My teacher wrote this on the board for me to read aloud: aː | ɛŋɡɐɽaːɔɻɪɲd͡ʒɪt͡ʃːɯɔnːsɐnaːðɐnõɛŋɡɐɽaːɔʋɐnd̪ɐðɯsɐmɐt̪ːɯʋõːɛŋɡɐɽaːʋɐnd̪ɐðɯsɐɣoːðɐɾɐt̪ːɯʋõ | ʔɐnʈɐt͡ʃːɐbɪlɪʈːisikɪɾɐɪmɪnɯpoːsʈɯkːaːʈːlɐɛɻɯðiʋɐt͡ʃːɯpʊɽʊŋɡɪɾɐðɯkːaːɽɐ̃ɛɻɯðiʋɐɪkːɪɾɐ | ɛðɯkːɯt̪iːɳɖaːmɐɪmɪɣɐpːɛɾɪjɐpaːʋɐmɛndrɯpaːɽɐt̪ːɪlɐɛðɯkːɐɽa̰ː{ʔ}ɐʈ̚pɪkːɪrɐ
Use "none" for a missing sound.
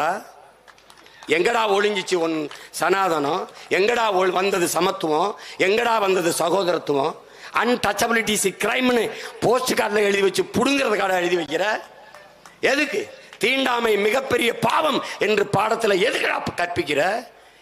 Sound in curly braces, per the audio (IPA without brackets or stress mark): k